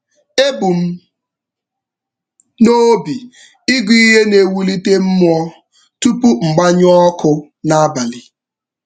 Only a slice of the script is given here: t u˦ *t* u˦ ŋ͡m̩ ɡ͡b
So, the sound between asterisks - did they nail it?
no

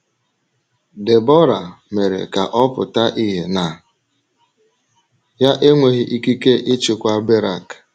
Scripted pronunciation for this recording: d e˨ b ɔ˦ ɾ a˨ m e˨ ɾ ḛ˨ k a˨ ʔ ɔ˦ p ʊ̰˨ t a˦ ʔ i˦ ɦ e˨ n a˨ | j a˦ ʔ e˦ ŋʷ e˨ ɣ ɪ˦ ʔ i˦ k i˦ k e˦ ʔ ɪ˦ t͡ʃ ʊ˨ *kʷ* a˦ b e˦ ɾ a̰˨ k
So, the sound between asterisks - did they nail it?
yes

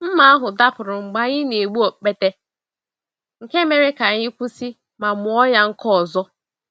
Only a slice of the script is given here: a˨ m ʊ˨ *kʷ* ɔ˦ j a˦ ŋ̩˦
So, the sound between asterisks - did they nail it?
no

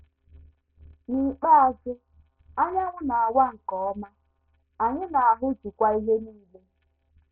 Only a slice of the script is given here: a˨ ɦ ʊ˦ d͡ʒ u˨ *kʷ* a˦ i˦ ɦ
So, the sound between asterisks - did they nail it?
yes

